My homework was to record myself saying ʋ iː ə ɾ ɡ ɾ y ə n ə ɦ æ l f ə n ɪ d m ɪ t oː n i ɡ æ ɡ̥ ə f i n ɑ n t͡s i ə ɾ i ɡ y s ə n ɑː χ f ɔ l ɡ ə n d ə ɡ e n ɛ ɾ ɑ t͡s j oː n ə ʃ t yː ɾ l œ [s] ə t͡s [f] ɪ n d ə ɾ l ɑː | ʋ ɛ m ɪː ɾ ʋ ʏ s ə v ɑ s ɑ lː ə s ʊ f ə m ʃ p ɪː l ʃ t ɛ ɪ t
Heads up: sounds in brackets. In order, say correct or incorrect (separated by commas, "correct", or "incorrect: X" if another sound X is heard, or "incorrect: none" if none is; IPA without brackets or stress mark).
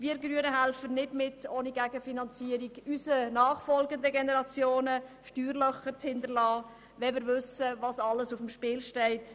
incorrect: χ, incorrect: h